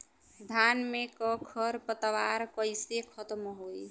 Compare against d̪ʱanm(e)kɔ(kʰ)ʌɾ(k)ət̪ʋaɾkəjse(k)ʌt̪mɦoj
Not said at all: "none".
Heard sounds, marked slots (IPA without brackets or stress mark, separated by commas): e, kʰ, p, kʰ